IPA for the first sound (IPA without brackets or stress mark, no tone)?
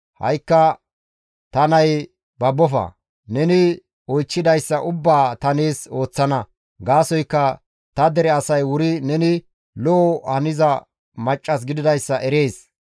h